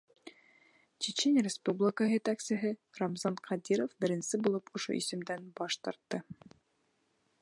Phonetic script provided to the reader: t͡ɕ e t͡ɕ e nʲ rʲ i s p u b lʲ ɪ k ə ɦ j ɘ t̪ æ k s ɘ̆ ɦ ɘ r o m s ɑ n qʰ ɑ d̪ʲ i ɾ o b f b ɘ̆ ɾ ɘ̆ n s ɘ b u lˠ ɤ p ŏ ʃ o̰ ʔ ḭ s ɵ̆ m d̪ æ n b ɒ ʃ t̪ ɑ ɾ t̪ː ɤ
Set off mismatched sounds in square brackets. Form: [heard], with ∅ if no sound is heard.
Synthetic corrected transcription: t͡ɕ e t͡ɕ e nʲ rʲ [ɪ] s p u b lʲ ɪ k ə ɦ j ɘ t̪ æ k s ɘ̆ ɦ ɘ r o m [z] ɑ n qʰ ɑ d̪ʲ i ɾ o [∅] f b ɘ̆ ɾ ɘ̆ n s ɘ b u lˠ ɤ p ŏ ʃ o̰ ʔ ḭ s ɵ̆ m d̪ æ n b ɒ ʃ t̪ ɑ ɾ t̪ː ɤ